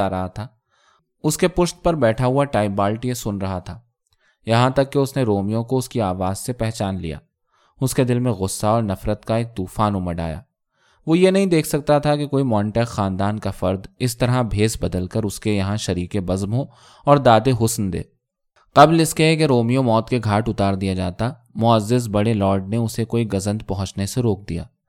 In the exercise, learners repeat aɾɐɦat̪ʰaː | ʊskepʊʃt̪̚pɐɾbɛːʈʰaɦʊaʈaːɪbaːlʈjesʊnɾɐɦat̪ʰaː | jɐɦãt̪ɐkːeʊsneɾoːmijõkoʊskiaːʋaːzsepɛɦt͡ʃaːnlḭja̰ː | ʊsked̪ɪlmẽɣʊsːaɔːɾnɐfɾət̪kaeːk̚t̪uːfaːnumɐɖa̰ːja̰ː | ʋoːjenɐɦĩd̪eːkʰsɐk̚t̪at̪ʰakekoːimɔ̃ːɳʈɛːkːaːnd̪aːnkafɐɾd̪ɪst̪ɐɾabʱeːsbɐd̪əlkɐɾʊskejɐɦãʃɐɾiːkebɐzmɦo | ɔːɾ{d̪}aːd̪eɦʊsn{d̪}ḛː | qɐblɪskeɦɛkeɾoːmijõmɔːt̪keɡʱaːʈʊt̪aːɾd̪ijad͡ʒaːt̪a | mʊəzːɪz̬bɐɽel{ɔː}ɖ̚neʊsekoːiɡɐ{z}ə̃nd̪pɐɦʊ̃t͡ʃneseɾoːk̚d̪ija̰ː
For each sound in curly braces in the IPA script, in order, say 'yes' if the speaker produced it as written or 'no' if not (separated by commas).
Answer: yes, yes, yes, yes